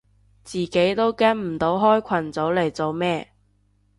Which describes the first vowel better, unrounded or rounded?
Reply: unrounded